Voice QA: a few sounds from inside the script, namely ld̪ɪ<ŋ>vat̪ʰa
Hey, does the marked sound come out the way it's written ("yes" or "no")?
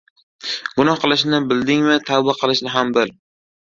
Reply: yes